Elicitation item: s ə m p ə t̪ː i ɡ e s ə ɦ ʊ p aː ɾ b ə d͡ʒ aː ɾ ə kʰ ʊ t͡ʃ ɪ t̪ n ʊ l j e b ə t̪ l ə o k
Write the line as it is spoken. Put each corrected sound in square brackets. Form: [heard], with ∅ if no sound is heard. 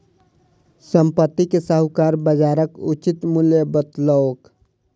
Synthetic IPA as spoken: s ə m p ə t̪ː i [k] e s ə ɦ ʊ [k] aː ɾ b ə d͡ʒ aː ɾ ə [k] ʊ t͡ʃ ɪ t̪ [m] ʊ l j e b ə t̪ l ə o k

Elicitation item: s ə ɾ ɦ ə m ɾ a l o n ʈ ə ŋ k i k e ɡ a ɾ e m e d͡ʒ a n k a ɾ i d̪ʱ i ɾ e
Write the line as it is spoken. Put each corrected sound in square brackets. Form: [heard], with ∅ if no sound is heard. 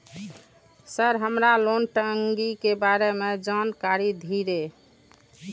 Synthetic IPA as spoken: s ə ɾ ɦ ə m ɾ a l o n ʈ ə ŋ [ɡ] i k e [b] a ɾ e m e d͡ʒ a n k a ɾ i d̪ʱ i ɾ e

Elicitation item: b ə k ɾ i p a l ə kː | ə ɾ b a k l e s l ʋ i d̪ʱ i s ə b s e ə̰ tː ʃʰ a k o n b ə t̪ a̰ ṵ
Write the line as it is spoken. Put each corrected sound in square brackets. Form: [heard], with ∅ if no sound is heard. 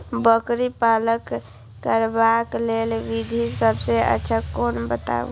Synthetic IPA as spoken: b ə k ɾ i p a l ə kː | ə ɾ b a k l e [∅] l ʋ i d̪ʱ i s ə b s e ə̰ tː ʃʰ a k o n b ə t̪ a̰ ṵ

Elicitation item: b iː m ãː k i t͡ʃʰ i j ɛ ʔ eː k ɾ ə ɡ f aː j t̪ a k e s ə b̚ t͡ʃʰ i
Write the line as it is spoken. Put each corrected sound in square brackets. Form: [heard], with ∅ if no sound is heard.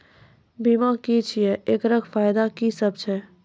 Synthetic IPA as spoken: b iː m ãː k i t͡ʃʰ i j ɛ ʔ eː k ɾ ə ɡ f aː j [d̪] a k [i] s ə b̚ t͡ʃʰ [ɛ]

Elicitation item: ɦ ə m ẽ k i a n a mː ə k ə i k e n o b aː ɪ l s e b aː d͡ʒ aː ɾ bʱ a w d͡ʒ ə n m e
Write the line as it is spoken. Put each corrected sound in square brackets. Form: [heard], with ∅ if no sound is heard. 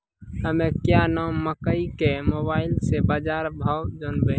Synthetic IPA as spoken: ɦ ə m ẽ k [j] a n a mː ə k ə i k e [m] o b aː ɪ l s e b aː d͡ʒ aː ɾ bʱ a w d͡ʒ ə n [b] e

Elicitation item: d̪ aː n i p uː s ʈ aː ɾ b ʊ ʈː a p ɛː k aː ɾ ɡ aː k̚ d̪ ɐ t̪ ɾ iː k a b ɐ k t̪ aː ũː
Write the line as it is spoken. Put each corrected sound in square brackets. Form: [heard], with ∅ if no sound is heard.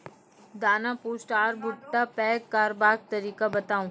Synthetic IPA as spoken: d̪ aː n [a] p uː s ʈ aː ɾ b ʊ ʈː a p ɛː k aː ɾ [b] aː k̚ [t̪] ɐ [∅] ɾ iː k a b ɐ [∅] t̪ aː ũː

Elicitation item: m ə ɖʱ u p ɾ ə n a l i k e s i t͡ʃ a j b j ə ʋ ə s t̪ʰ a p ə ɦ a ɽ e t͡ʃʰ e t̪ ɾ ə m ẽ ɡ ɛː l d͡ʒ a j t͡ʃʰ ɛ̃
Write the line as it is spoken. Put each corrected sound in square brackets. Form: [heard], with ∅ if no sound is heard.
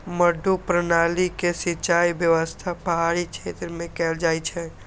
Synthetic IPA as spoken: m ə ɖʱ u p ɾ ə n a l i k e s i t͡ʃ a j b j ə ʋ ə s t̪ʰ a p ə ɦ a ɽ [i] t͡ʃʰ e t̪ ɾ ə m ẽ [k] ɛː l d͡ʒ a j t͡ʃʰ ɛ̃

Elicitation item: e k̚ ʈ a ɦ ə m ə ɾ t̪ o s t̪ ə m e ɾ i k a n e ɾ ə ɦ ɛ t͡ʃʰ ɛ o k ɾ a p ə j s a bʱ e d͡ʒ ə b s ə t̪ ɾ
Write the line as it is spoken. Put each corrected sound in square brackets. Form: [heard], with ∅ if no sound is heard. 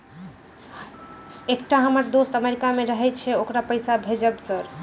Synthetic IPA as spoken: e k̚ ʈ a ɦ ə m ə ɾ [d̪] o s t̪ ə m e ɾ i k a [m] e ɾ ə ɦ ɛ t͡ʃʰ ɛ o k ɾ a p ə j s a bʱ e d͡ʒ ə b s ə [∅] ɾ

